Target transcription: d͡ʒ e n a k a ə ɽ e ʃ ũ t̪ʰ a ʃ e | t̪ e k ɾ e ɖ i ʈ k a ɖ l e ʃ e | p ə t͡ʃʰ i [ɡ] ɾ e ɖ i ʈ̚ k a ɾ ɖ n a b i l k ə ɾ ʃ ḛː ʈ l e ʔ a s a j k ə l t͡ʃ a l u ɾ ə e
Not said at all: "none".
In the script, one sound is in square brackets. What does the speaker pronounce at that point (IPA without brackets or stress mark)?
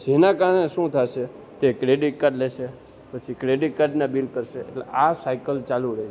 k